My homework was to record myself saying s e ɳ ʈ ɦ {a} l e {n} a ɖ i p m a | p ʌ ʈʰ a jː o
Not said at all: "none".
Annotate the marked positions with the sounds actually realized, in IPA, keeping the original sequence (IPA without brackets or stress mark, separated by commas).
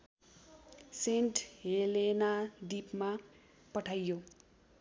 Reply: e, n